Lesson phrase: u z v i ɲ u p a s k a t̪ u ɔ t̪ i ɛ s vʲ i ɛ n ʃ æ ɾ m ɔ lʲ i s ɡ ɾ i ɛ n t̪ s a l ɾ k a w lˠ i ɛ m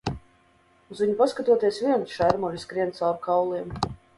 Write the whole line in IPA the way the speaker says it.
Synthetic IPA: u z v i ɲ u p a s k a t̪ u ɔ t̪ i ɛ s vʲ i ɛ n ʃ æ ɾ m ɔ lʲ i s k ɾ i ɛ n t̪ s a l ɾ k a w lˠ i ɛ m